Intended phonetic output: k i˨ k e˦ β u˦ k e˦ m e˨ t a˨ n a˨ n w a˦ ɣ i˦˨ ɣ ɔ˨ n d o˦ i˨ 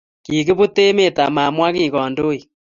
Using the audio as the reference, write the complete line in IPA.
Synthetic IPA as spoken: k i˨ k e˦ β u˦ t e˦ m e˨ t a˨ m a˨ m w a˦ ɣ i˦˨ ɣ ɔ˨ n d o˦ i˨